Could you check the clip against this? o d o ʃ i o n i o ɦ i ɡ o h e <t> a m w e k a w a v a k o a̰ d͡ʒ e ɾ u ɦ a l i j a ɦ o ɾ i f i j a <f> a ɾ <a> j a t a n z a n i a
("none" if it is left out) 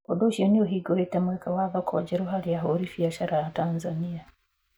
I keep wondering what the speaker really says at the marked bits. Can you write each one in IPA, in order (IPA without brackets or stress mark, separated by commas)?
t, ʃ, a